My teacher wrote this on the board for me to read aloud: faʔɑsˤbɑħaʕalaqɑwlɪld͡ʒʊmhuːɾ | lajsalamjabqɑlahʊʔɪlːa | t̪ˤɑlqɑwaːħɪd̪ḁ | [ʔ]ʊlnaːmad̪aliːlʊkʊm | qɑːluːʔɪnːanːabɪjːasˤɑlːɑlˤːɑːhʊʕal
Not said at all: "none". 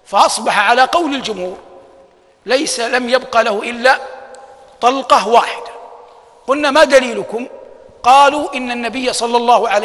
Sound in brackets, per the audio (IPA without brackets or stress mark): q